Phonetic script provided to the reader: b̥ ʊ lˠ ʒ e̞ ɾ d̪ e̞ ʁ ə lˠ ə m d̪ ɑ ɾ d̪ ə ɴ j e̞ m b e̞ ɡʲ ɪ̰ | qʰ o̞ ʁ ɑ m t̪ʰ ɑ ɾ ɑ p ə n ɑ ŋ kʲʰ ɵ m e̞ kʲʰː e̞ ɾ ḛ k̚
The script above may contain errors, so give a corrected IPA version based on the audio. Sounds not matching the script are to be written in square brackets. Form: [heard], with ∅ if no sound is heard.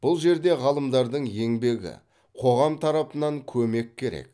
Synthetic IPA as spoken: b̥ ʊ lˠ ʒ e̞ ɾ d̪ e̞ ʁ [ɑ] lˠ ə m d̪ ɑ ɾ d̪ ə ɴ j e̞ [ŋ] b e̞ ɡʲ ɪ̰ | qʰ o̞ ʁ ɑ m t̪ʰ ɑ ɾ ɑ p ə n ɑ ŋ kʲʰ ɵ m e̞ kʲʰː e̞ ɾ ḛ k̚